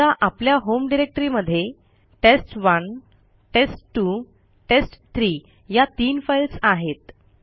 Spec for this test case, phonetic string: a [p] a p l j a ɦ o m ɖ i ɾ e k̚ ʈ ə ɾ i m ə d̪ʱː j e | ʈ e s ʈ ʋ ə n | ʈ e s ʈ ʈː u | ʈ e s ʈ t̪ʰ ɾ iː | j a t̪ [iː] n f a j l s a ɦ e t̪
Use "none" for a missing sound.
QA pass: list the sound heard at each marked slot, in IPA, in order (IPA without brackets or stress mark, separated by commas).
ʔ, iː